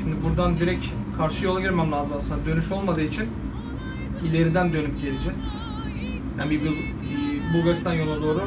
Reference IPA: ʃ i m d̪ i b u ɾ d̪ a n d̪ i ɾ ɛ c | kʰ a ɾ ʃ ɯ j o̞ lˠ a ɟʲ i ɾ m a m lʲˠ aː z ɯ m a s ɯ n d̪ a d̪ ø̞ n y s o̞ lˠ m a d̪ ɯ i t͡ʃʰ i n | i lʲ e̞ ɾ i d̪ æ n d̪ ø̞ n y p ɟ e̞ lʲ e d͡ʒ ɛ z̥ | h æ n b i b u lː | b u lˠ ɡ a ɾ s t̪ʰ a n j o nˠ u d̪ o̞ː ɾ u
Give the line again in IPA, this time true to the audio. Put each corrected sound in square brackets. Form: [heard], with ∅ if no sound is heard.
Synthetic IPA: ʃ i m d̪ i b u ɾ d̪ a n d̪ i ɾ ɛ c | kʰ a ɾ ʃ ɯ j o̞ lˠ a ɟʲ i ɾ m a m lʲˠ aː z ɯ m a s ɯ n d̪ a d̪ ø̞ n y [ʃ] o̞ lˠ m a d̪ [ɯː] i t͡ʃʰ i n | i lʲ e̞ ɾ i d̪ æ n d̪ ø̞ n y p ɟ e̞ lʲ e d͡ʒ ɛ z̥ | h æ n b i b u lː | b u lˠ ɡ a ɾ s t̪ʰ a n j o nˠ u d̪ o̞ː ɾ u